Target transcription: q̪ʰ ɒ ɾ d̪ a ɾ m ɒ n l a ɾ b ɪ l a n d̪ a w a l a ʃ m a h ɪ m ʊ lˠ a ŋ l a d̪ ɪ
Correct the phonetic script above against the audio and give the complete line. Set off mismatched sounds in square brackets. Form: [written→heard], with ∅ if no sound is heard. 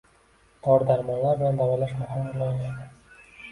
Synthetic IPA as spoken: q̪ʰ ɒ ɾ d̪ a ɾ m ɒ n l a ɾ b ɪ l a n d̪ a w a l a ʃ m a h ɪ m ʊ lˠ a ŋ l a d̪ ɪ